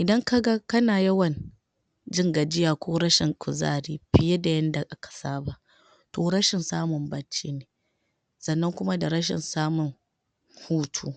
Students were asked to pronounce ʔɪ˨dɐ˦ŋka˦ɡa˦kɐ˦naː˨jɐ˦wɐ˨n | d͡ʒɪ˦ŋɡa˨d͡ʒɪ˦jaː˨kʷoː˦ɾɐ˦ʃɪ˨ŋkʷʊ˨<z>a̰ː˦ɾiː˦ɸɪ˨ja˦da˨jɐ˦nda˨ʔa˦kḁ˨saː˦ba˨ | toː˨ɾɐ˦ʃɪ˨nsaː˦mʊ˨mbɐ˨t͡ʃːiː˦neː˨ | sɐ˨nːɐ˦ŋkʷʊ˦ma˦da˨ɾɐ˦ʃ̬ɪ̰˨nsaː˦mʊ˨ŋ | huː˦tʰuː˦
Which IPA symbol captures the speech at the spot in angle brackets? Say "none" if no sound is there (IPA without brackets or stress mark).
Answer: z